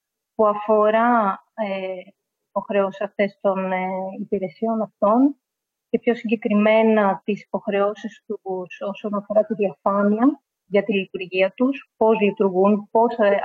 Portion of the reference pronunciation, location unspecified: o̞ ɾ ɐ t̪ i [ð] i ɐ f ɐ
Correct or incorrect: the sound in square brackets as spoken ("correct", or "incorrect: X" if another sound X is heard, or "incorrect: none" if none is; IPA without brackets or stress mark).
correct